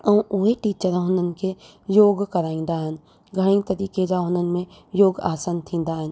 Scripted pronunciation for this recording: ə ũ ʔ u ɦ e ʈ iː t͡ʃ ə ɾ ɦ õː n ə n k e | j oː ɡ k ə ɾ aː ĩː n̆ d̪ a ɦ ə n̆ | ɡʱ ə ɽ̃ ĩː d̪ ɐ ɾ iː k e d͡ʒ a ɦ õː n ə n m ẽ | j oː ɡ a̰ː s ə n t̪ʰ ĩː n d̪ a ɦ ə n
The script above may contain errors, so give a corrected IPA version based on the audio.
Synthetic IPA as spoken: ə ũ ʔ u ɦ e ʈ iː t͡ʃ ə ɾ ɦ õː n ə n k e | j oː ɡ k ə ɾ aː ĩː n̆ d̪ a ɦ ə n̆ | ɡʱ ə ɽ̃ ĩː t̪ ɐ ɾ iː k e d͡ʒ a ɦ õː n ə n m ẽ | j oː ɡ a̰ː s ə n t̪ʰ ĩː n d̪ a ɦ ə n